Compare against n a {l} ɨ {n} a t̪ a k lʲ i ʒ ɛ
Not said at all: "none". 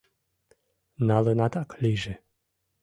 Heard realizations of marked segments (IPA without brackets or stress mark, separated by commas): l, n